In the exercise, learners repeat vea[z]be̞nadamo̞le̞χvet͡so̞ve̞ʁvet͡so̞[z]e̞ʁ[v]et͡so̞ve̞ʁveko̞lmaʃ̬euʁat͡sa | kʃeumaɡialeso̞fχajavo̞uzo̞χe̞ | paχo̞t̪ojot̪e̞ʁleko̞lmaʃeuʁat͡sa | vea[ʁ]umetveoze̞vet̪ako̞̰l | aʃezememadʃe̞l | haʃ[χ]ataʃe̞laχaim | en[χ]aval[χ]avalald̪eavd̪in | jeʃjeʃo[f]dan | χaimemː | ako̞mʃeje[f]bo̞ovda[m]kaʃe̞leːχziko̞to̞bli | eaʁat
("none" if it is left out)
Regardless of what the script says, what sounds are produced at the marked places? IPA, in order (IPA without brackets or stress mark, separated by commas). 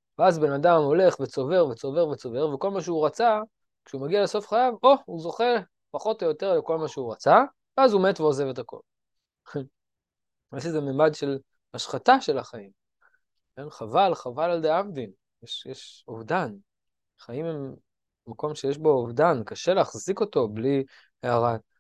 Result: z, v, v, z, χ, χ, χ, v, ʃ, n